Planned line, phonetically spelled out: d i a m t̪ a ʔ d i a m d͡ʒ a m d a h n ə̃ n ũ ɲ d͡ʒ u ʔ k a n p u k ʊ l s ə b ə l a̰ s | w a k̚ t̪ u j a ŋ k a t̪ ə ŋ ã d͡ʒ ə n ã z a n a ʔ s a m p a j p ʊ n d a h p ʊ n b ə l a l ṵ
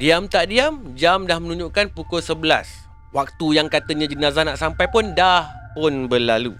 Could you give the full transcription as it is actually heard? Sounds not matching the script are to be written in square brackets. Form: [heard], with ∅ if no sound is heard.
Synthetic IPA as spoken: d i a m t̪ a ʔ d i a m d͡ʒ a m d a h [m] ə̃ n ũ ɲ d͡ʒ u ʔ k a n p u k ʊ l s ə b ə l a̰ s | w a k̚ t̪ u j a ŋ k a t̪ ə [ɲ] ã d͡ʒ ə n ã z a n a ʔ s a m p a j p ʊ n d a h p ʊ n b ə l a l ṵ